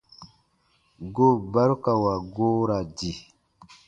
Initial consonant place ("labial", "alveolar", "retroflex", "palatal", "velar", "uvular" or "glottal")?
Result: velar